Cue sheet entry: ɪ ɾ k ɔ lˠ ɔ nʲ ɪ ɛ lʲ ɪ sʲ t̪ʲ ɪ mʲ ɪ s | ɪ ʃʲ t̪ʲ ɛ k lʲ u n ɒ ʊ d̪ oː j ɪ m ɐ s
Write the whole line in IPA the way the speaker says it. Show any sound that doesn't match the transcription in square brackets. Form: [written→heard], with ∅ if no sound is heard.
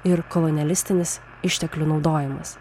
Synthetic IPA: ɪ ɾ k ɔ lˠ ɔ nʲ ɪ ɛ lʲ ɪ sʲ t̪ʲ ɪ [mʲ→nʲ] ɪ s | ɪ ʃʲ t̪ʲ ɛ k lʲ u n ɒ ʊ d̪ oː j ɪ m ɐ s